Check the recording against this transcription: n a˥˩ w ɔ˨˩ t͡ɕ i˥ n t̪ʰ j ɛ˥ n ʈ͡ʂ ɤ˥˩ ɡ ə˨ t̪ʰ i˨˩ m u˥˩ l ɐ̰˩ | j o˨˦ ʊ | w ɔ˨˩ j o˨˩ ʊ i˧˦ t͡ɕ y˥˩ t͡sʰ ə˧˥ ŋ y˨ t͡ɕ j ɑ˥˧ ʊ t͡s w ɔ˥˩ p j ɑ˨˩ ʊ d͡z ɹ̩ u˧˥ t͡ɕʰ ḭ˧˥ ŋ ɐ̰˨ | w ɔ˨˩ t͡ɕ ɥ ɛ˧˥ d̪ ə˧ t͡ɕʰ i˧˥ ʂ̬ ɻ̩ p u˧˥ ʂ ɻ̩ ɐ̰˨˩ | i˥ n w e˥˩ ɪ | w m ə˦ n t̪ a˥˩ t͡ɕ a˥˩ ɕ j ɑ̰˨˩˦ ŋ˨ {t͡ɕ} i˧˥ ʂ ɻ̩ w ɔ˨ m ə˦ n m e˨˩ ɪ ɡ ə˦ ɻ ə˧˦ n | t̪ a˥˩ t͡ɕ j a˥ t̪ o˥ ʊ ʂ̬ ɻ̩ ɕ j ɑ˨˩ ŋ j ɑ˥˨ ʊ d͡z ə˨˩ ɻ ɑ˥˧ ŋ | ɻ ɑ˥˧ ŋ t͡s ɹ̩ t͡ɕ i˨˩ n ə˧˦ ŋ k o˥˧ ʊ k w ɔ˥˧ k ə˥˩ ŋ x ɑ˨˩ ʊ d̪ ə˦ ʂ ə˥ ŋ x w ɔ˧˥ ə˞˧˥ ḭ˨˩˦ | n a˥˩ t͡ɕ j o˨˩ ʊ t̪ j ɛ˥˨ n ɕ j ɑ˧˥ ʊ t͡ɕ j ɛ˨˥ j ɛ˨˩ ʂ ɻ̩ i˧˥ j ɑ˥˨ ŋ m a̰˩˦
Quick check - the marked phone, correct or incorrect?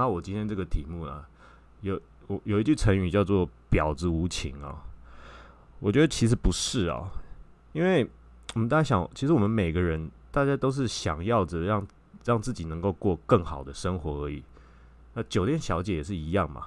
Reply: incorrect